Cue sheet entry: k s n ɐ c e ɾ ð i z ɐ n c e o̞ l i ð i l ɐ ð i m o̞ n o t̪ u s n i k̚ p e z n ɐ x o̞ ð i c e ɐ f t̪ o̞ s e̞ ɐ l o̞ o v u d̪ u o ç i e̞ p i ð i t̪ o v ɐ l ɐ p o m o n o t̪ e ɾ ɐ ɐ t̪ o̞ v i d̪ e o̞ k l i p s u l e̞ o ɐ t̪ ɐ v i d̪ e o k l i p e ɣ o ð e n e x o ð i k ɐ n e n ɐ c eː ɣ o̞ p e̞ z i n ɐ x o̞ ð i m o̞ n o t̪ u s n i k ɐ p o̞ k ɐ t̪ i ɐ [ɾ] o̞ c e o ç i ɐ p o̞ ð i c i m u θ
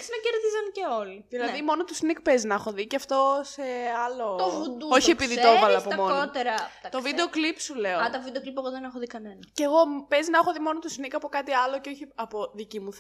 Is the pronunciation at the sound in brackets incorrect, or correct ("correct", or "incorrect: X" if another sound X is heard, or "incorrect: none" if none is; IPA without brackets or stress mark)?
incorrect: l